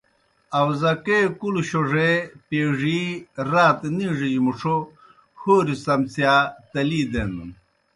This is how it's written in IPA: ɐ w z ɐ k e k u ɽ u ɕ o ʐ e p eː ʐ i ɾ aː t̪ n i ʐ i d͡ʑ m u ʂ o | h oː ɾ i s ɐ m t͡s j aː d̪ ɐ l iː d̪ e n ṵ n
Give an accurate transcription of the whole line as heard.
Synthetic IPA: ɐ w z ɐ k e k u l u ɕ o ʐ e p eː ʐ i ɾ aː t̪ n i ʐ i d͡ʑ m u ʂ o | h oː ɾ i s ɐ m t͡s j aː t̪ ɐ l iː d̪ e n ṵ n

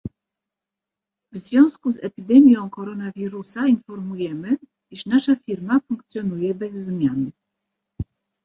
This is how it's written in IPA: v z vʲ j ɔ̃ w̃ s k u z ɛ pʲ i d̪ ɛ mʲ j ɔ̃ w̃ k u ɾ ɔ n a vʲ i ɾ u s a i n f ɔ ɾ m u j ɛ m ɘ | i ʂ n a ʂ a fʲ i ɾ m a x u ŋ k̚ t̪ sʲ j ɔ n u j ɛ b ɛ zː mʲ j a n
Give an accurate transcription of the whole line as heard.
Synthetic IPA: v z vʲ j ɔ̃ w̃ s k u z ɛ pʲ i d̪ ɛ mʲ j ɔ̃ w̃ k ɔ ɾ ɔ n a vʲ i ɾ u s a i n f ɔ ɾ m u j ɛ m ɘ | i ʂ n a ʂ a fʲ i ɾ m a f u ŋ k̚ t̪ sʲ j ɔ n u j ɛ b ɛ zː mʲ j a n

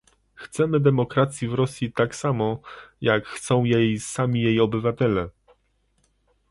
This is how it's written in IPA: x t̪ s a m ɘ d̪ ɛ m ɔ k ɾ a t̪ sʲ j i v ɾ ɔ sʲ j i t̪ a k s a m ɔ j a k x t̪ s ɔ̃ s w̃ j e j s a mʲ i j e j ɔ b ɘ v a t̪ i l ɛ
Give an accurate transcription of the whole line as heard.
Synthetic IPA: x t̪ s ɛ m ɘ d̪ ɛ m ɔ k ɾ a t̪ sʲ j i v ɾ ɔ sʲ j i t̪ a k s a m ɔ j a k x t̪ s ɔ̃ w̃ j e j s a mʲ i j e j ɔ b ɘ v a t̪ ɛ l ɛ

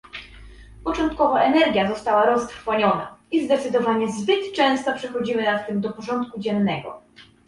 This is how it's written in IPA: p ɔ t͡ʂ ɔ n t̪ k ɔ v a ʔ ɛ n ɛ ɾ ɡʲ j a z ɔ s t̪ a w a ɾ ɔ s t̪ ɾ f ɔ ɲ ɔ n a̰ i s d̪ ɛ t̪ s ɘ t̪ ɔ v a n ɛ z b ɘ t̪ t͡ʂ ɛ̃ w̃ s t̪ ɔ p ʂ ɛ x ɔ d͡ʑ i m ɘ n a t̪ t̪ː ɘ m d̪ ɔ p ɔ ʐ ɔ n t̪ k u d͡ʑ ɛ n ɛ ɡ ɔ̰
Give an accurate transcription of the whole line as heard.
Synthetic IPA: p ɔ t͡ʂ ɔ n t̪ k ɔ v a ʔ ɛ n ɛ ɾ ɡʲ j a z ɔ s t̪ a w a ɾ ɔ s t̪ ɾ f ɔ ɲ ɔ n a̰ i z d̪ ɛ t̪ s ɘ d̪ ɔ v a ɲ ɛ z b ɘ t̪ t͡ʂ ɛ̃ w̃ s t̪ ɔ p ʂ ɛ x ɔ d͡ʑ i m ɘ n a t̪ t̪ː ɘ m d̪ ɔ p ɔ ʐ ɔ n t̪ k u d͡ʑ ɛ nː ɛ ɡ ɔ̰

